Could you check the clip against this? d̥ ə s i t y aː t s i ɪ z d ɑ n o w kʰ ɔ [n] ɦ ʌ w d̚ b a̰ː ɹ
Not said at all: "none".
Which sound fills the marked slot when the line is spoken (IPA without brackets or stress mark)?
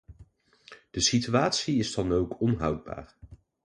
n